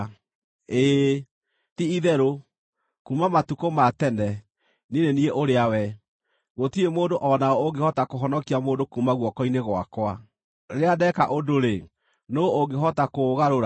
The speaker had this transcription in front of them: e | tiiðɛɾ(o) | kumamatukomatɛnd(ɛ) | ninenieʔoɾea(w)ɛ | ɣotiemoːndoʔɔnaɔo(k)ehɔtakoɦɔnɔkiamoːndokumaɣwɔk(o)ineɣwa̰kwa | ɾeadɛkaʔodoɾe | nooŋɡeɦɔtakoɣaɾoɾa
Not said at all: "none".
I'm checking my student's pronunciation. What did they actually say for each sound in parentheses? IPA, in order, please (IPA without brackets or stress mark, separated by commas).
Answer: o, ɛ, w, ɡ, ɔ